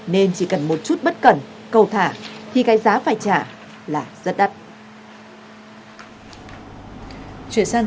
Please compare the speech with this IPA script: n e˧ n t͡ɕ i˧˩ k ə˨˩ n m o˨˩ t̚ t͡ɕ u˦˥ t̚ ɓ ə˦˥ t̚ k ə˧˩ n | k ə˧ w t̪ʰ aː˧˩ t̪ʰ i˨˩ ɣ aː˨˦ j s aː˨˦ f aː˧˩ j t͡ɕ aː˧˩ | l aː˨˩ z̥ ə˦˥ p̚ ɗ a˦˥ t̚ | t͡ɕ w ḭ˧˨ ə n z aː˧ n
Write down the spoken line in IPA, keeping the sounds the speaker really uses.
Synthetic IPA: n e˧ n t͡ɕ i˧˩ k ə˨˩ n m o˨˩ t̚ t͡ɕ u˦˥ t̚ ɓ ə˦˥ t̚ k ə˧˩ n | k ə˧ w t̪ʰ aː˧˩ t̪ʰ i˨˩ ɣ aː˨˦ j z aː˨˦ f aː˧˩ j t͡ɕ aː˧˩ | l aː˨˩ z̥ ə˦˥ t̚ ɗ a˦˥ t̚ | t͡ɕ w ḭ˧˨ ə n s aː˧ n

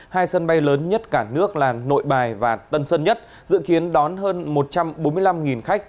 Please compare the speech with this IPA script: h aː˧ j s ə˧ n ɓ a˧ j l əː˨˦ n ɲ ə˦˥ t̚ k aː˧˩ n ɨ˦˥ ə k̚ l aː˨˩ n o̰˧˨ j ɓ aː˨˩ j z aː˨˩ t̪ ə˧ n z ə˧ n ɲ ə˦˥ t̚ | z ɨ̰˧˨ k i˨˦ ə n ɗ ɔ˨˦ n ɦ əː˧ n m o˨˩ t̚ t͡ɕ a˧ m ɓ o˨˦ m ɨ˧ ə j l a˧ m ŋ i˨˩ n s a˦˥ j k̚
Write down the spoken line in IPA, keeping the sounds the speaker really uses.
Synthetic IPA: h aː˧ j s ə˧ n ɓ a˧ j l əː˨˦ n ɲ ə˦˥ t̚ k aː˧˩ n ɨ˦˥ ə k̚ l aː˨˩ n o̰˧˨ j ɓ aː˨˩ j v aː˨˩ t̪ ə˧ n s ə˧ n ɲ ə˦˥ t̚ | z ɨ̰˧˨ k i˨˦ ə n ɗ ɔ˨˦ n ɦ əː˧ n m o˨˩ t̚ t͡ɕ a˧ m ɓ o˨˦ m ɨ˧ ə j l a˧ m ŋ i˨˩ n x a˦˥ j k̚

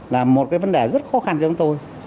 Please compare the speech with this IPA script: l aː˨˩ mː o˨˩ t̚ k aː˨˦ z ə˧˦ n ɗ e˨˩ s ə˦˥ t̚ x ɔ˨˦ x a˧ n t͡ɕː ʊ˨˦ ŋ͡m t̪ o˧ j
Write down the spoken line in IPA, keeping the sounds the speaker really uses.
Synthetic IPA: l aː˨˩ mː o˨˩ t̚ k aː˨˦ v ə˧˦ n ɗ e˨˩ z ə˦˥ t̚ x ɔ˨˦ x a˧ n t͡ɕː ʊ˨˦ ŋ͡m t̪ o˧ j

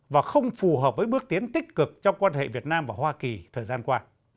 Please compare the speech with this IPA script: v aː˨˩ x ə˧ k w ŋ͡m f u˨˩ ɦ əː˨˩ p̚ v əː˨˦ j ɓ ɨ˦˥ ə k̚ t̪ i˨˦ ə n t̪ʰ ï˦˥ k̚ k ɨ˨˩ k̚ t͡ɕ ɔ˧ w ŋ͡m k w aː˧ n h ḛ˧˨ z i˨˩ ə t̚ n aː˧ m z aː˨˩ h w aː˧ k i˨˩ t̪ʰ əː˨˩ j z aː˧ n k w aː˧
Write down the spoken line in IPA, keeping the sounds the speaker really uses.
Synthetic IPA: v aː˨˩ x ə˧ w ŋ͡m f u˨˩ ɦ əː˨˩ p̚ v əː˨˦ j ɓ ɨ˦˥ ə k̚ t̪ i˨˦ ə n t̪ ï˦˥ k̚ k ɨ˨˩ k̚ t͡ɕ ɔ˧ w ŋ͡m k w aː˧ n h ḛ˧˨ v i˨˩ ə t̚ n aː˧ m v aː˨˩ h w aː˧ k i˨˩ t̪ʰ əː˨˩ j z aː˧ n k w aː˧

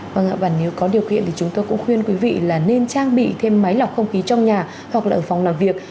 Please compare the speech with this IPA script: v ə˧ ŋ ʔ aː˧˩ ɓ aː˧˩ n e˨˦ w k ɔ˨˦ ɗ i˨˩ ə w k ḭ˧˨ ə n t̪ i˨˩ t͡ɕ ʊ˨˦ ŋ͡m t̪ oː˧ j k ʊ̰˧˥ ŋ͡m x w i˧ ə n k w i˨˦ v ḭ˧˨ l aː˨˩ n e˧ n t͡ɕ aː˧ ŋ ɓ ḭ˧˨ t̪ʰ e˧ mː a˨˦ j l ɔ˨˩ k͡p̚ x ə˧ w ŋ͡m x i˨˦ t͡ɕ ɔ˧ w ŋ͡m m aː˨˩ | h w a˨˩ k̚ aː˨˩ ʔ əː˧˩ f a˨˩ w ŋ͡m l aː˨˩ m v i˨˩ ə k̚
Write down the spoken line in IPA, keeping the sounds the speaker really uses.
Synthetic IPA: v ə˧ ŋ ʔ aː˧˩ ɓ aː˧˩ n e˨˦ w k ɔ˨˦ ɗ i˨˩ ə w k ḭ˧˨ ə n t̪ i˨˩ t͡ɕ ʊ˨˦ ŋ͡m t̪ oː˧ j k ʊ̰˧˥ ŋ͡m x w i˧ ə n k w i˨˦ v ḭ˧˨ l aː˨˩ n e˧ n t͡ɕ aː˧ ŋ ɓ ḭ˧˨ t̪ʰ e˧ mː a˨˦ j l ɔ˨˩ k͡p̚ x ə˧ w ŋ͡m x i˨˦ t͡ɕ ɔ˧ w ŋ͡m ɲ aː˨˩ | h w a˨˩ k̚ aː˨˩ ʔ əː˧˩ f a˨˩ w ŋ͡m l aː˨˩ m v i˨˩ ə k̚

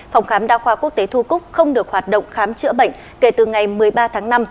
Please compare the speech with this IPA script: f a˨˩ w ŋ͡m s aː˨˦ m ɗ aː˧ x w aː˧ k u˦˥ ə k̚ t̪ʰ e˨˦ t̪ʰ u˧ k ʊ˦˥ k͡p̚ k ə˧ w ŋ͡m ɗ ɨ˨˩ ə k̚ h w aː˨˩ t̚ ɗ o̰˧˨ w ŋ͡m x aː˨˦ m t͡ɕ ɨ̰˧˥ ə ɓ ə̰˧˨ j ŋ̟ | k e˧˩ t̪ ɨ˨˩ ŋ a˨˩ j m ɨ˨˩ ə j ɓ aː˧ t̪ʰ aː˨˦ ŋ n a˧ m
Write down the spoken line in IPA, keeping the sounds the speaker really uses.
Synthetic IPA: f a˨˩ w ŋ͡m x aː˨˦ m ɗ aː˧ x w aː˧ k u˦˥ ə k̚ t̪ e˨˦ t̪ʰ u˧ k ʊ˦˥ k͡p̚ x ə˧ w ŋ͡m ɗ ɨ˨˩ ə k̚ h w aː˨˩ t̚ ɗ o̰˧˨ w ŋ͡m x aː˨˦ m t͡ɕ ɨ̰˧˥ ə ɓ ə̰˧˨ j ŋ̟ | k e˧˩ t̪ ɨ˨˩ ŋ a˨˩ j m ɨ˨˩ ə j ɓ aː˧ t̪ʰ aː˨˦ ŋ n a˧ m

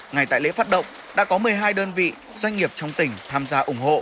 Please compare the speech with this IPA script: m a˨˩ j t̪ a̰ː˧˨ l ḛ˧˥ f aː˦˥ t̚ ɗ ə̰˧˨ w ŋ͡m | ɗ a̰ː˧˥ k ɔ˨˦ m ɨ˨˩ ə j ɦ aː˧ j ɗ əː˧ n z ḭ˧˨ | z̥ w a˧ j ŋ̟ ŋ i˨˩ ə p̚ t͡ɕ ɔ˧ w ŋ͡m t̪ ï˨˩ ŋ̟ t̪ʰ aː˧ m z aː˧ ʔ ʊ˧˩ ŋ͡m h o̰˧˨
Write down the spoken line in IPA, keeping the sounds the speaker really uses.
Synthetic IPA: ŋ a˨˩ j t̪ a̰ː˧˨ l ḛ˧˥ f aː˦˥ t̚ ɗ ə̰˧˨ w ŋ͡m | ɗ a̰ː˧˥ k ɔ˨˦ m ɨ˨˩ ə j ɦ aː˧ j ɗ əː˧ n v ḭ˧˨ | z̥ w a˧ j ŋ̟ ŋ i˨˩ ə p̚ t͡ɕ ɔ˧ w ŋ͡m t̪ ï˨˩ ŋ̟ t̪ʰ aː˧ m z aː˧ ʔ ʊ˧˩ ŋ͡m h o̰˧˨

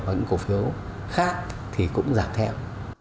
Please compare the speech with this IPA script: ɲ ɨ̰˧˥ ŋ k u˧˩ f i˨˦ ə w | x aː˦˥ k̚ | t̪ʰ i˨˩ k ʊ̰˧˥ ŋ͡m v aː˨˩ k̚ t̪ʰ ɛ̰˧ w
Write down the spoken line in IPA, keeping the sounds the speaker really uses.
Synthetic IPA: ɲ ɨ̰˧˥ ŋ k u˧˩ f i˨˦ ə w | x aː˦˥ k̚ | t̪ʰ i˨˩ k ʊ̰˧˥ ŋ͡m z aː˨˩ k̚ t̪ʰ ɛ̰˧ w

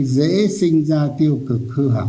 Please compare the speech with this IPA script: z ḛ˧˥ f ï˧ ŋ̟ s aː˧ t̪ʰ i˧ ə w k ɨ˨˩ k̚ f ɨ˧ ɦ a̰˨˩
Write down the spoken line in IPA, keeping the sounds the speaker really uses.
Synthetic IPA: z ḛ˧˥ s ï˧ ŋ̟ z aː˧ t̪ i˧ ə w k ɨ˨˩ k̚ h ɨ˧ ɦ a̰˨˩

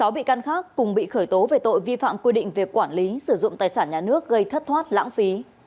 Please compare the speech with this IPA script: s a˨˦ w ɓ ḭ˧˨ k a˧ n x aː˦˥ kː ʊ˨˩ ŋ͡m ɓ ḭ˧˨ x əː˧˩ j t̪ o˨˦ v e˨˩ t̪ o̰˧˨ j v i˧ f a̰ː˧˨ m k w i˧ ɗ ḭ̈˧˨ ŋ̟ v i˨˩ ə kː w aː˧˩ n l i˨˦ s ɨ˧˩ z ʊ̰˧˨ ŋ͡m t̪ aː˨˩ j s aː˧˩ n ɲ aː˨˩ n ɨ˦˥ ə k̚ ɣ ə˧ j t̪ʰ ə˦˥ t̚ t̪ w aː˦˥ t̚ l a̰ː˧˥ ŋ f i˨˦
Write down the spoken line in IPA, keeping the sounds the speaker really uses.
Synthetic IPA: s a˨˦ w ɓ ḭ˧˨ k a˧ n x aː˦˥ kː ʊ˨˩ ŋ͡m ɓ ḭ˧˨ x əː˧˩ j t̪ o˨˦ v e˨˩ t̪ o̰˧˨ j v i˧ f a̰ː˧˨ m k w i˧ ɗ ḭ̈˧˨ ŋ̟ v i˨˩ ə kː w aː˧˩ n l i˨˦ s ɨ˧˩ z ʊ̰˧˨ ŋ͡m t̪ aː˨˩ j s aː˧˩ n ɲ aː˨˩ n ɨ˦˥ ə k̚ ɣ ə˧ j t̪ʰ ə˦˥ t̚ t̪ʰ w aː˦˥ t̚ l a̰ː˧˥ ŋ f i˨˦

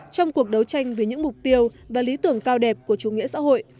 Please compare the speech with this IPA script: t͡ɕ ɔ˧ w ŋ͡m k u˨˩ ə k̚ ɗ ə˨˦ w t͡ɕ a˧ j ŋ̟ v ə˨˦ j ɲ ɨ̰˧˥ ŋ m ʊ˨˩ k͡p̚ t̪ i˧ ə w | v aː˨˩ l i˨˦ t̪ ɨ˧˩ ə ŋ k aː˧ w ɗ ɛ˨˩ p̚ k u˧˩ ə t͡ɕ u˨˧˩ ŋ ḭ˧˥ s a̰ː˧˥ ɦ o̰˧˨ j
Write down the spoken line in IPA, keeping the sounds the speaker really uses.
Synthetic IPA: t͡ɕ ɔ˧ w ŋ͡m k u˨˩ ə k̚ ɗ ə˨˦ w t͡ɕ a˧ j ŋ̟ v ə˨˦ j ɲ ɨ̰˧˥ ŋ m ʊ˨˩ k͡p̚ t̪ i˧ ə w | v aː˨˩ l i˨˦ t̪ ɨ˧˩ ə ŋ k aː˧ w ɗ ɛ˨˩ p̚ k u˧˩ ə t͡ɕ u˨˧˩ ŋ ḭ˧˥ s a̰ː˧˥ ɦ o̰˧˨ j

